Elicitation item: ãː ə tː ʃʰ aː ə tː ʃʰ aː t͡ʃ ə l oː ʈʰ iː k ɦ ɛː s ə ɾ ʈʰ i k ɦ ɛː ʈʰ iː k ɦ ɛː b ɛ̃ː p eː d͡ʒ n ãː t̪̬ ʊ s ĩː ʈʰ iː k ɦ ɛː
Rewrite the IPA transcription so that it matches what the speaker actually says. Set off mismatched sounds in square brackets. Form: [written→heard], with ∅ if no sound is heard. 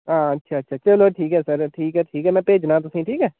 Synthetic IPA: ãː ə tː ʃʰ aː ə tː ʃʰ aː t͡ʃ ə l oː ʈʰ iː k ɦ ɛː s ə ɾ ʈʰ [i→iː] k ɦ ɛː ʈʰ iː k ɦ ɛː [b→m] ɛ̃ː p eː d͡ʒ n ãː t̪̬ ʊ s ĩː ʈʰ iː k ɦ ɛː